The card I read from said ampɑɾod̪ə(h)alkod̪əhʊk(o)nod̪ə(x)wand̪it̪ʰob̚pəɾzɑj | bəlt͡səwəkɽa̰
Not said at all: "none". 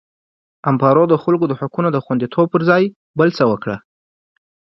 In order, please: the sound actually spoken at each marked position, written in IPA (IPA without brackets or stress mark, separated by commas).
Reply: x, u, x